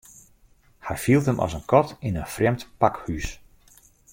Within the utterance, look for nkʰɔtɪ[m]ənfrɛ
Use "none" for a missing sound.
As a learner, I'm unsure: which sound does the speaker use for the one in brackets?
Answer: n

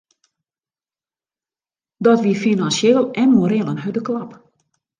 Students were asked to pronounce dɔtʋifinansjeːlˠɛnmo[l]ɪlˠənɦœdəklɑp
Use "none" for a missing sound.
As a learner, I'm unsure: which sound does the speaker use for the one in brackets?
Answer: ɾ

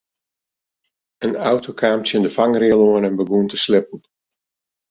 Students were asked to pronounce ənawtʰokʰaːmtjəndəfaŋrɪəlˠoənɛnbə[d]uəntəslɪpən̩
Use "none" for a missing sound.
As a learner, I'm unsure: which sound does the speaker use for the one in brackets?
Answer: ɡ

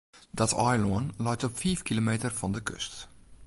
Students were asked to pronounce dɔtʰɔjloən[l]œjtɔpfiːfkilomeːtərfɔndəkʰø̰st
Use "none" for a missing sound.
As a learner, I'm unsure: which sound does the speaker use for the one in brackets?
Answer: l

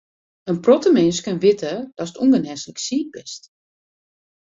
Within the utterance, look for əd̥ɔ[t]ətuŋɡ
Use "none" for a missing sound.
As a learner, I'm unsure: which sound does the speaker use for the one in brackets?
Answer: s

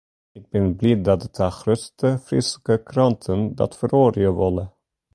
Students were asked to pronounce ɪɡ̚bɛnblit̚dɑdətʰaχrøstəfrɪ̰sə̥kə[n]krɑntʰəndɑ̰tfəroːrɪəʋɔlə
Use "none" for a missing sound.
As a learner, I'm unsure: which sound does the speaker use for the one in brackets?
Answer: none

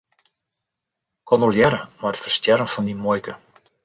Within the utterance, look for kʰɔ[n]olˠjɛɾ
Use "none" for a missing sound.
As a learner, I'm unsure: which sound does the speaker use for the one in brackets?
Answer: n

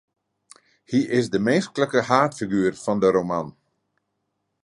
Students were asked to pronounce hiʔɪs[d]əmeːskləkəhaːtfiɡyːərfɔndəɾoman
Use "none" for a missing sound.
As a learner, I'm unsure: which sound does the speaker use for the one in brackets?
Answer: d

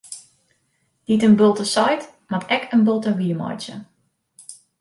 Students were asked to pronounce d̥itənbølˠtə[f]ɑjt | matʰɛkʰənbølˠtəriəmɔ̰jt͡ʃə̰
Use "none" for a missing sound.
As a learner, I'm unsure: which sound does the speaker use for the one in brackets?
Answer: s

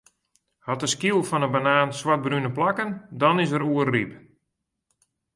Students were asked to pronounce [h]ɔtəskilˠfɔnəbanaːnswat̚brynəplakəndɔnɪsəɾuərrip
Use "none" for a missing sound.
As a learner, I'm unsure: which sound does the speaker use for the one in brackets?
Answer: h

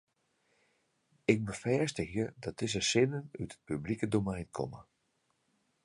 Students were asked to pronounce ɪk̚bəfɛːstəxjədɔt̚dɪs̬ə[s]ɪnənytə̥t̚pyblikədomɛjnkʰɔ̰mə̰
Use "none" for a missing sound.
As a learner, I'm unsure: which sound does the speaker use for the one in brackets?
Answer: s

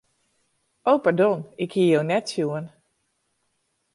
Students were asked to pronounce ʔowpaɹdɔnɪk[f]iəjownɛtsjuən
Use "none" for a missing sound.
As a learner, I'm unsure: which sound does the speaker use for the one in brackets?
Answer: h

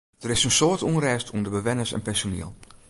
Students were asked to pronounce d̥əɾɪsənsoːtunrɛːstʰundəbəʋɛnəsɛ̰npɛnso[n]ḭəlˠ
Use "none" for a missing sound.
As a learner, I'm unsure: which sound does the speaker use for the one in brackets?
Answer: n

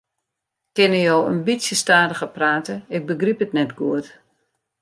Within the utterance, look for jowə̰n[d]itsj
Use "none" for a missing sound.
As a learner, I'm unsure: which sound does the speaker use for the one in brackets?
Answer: b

